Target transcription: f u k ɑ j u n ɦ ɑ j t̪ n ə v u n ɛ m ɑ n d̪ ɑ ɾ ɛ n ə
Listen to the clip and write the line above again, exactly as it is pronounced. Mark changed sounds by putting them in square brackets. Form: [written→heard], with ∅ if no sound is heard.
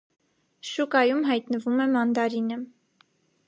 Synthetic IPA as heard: [f→ʃ] u k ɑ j u [n→m] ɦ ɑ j t̪ n ə v u [n→m] ɛ m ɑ n d̪ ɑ ɾ [ɛ→i] n ə